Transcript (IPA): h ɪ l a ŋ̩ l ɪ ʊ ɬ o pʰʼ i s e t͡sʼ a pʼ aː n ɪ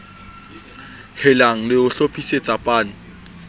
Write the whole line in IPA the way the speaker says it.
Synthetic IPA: h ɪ l a ŋ̩ l ɪ ʊ ɬ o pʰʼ i s e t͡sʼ a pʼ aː n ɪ